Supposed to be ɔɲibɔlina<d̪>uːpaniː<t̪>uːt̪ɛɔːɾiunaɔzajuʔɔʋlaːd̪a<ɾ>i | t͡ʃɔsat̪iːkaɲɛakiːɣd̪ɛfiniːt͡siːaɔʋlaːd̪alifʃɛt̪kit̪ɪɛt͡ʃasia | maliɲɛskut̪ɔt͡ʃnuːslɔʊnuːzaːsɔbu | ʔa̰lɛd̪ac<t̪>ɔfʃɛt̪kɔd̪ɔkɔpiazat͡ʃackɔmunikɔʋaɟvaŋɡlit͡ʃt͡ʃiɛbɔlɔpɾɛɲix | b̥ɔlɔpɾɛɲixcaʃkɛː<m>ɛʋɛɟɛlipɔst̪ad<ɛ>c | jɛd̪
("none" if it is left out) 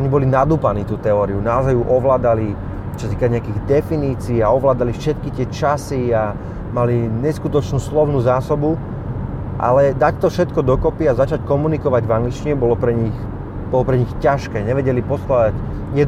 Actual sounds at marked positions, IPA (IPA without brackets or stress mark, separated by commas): d̪, t̪, l, t̪, ɲ, a